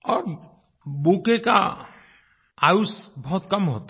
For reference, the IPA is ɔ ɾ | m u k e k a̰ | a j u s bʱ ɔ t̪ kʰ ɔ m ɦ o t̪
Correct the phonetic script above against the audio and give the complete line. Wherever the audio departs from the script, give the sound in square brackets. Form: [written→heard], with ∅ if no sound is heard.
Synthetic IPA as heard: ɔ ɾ | [m→b] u k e k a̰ | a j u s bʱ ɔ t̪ [kʰ→k] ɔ m ɦ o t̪